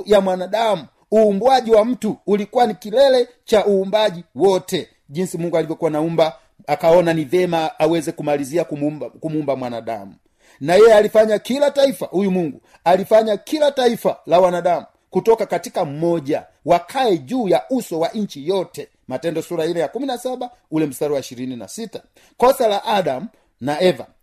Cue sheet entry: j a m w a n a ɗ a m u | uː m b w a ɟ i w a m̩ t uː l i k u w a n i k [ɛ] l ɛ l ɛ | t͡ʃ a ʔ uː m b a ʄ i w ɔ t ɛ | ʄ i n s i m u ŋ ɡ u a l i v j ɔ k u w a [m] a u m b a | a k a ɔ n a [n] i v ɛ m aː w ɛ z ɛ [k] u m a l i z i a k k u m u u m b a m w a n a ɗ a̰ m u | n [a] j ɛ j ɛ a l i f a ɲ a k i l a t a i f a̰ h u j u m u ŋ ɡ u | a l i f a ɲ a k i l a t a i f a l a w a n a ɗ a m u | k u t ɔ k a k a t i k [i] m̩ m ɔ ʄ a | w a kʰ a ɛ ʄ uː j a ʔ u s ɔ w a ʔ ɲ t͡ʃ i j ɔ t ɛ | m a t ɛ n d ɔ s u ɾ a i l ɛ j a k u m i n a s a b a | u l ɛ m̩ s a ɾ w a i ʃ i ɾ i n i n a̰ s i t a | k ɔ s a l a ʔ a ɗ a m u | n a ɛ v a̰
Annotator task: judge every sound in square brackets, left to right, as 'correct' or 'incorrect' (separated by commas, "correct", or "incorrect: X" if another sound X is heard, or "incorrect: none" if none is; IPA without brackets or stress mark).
incorrect: i, incorrect: n, correct, correct, correct, incorrect: a